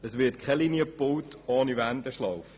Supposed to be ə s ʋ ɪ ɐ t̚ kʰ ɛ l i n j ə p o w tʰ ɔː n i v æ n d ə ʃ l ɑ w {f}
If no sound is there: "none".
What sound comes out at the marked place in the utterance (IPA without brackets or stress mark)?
f